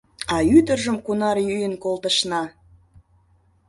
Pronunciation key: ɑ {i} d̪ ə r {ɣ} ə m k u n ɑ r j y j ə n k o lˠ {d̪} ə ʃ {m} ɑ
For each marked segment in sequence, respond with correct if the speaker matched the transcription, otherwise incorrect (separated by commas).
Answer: incorrect, incorrect, incorrect, incorrect